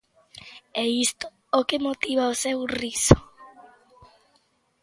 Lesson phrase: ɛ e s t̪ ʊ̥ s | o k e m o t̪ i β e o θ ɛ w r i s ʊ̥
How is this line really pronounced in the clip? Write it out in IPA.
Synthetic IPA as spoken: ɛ i s t̪ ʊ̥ | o k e m o t̪ i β a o s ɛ w r i s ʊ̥